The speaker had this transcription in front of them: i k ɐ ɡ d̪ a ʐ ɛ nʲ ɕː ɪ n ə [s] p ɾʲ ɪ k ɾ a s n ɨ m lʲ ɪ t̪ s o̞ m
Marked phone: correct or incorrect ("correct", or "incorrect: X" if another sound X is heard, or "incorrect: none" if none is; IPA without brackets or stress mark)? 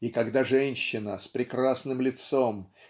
correct